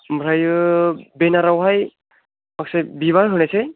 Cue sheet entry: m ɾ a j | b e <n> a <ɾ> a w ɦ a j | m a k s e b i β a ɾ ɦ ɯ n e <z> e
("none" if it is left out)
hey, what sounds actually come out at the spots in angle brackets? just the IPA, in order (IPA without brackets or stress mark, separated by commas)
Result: n, ɾ, s